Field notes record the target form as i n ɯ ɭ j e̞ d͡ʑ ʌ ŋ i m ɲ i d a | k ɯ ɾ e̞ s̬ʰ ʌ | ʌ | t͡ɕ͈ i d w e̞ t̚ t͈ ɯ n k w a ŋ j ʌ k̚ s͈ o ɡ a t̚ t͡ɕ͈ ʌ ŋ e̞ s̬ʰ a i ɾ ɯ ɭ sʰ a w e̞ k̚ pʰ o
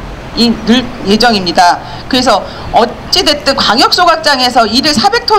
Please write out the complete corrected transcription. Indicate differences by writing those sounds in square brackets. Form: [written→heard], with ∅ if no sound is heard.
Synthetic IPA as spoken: i n ɯ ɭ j e̞ d͡ʑ ʌ ŋ i m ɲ i d a | k ɯ ɾ e̞ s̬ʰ ʌ | ʌ | t͡ɕ͈ i d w e̞ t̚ t͈ ɯ n k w a ŋ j ʌ k̚ s͈ o ɡ a [t̚→k̚] t͡ɕ͈ [ʌ→a] ŋ e̞ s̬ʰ [a→ʌ] i ɾ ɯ ɭ sʰ a [w→b] e̞ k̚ [pʰ→tʰ] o